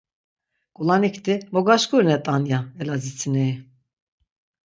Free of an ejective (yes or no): no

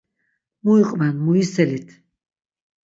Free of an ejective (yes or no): no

